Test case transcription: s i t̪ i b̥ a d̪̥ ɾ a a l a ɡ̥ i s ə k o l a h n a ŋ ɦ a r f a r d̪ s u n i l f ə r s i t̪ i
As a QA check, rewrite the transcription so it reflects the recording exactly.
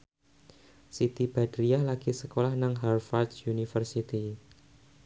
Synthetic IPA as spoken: s i t̪ i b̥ a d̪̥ ɾ i a l a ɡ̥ i s ə k o l a h n a ŋ ɦ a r f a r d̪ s u n i f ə r s i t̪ i